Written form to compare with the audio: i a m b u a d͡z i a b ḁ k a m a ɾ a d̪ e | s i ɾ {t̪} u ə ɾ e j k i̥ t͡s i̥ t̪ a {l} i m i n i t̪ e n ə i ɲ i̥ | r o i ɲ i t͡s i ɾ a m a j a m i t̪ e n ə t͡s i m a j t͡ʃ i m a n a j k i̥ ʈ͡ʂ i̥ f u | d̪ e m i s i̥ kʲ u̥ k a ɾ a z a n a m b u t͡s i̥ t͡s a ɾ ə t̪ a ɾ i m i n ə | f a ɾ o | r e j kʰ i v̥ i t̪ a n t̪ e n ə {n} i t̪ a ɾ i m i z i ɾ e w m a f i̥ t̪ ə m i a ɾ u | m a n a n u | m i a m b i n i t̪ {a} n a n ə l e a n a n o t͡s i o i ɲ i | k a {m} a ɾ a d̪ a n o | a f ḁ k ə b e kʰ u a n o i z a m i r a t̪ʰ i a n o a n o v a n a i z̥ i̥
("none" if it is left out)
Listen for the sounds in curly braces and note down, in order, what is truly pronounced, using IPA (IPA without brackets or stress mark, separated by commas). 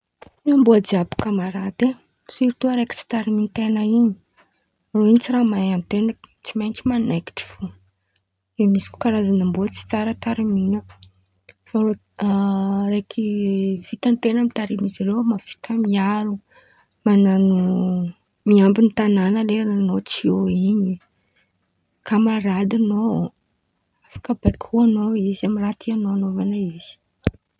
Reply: t̪, ɾ, m, a, m